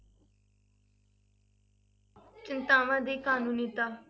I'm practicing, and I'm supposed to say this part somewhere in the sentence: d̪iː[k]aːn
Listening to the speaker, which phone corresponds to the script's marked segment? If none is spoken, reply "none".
k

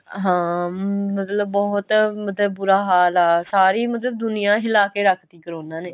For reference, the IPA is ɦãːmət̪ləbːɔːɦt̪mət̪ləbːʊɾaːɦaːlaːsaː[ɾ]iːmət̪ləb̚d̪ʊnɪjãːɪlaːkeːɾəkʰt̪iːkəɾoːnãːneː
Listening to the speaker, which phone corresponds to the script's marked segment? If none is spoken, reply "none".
ɾ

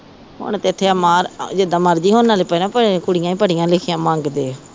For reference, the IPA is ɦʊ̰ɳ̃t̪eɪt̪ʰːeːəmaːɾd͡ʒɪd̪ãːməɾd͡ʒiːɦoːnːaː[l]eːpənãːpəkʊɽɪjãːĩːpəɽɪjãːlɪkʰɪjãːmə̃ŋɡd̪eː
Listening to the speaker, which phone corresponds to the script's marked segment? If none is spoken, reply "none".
l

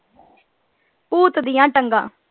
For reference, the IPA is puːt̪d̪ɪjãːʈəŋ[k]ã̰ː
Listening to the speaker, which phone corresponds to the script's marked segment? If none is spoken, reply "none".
ɡ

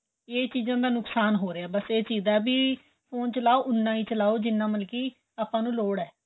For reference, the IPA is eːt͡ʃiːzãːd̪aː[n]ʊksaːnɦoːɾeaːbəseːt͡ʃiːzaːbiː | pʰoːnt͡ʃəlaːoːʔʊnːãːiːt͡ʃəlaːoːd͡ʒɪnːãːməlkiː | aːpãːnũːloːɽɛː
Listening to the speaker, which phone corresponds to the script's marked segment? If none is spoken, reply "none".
n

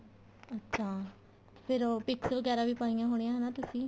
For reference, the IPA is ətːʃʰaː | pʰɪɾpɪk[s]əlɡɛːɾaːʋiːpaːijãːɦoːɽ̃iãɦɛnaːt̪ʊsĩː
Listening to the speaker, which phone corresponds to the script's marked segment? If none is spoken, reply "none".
s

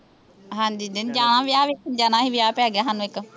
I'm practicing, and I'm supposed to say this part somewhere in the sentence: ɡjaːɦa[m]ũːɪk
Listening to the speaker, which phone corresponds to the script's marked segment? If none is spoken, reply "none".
n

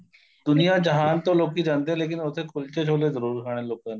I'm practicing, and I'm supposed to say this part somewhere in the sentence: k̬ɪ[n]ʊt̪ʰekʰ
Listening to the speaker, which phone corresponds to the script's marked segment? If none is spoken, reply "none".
n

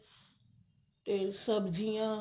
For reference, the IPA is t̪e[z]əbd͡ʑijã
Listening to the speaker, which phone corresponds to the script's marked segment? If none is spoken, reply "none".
s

